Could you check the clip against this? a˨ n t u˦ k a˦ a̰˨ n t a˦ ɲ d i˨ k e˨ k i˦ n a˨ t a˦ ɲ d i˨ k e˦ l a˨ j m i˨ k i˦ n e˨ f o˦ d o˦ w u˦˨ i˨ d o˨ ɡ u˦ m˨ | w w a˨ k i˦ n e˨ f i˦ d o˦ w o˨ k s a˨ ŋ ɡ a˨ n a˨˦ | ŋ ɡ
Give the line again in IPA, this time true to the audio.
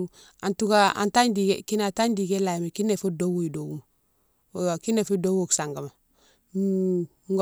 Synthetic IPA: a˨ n t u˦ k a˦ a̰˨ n t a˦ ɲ d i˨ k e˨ k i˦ n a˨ t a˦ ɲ d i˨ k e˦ l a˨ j m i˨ k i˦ n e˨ f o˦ d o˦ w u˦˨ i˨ d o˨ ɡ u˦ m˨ | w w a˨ k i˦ n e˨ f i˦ d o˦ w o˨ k s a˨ ŋ ɡ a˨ m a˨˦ | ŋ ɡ